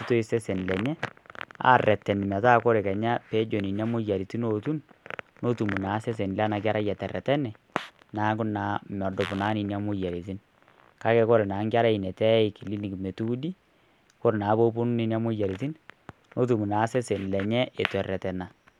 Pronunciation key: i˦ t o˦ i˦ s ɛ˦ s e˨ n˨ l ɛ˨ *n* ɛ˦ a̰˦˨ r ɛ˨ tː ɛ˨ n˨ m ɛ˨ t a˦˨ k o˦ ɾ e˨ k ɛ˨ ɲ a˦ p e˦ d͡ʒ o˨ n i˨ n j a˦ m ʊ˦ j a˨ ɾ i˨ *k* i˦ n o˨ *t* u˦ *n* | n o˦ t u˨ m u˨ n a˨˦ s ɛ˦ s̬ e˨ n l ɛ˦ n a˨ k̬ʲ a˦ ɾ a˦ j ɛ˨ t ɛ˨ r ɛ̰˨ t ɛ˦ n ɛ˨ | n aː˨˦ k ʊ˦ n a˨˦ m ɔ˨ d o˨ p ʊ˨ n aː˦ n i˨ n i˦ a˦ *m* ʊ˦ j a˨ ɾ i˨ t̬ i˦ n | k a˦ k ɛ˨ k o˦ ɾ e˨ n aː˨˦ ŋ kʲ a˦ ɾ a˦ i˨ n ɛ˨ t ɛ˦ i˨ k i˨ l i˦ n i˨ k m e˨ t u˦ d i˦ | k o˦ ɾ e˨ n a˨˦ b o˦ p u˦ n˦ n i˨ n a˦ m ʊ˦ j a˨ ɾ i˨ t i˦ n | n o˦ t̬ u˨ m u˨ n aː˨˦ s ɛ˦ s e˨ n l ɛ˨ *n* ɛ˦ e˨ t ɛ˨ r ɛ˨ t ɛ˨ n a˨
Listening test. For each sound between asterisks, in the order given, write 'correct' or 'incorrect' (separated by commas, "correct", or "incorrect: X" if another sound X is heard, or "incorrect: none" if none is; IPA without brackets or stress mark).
incorrect: ɲ, incorrect: t, correct, correct, correct, incorrect: ɲ